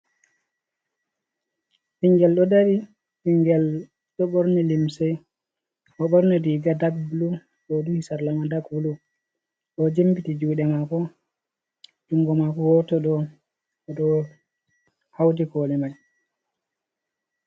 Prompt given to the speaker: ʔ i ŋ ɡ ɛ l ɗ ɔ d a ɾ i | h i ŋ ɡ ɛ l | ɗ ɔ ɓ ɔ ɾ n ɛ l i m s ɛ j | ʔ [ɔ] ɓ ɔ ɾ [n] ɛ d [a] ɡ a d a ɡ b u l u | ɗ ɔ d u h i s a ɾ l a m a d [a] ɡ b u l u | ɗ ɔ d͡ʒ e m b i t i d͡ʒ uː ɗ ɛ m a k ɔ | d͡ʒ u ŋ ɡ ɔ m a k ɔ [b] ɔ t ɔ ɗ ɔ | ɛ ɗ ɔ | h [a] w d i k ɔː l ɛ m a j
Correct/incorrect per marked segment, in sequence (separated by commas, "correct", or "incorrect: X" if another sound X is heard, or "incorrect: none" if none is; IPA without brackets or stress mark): correct, correct, incorrect: i, correct, incorrect: w, correct